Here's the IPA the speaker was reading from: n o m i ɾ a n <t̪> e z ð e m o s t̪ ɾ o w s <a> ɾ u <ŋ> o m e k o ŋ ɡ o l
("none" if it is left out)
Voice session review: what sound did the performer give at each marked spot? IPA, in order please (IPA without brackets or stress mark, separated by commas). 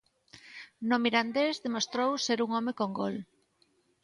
d̪, e, ŋ